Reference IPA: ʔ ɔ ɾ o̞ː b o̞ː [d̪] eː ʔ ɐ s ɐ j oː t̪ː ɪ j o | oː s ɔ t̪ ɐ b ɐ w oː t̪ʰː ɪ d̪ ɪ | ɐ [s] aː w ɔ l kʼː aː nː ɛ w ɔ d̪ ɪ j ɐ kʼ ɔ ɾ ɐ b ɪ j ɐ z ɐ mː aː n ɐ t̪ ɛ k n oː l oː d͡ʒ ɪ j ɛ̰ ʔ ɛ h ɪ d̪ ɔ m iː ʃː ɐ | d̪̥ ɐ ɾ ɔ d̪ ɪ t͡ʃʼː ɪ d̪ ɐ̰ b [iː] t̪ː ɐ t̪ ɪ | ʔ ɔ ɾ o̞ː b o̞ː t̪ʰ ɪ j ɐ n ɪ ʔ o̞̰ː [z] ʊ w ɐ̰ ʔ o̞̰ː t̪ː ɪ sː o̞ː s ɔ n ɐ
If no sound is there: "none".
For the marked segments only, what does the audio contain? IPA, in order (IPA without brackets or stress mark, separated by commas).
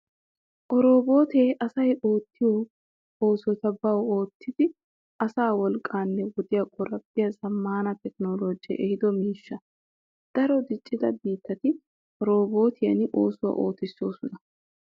t̪, s, iː, s